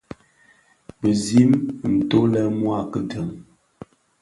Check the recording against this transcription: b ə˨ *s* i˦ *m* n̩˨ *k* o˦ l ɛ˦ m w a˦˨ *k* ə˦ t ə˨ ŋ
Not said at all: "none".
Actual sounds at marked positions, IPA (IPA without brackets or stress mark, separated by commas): z, m, t, k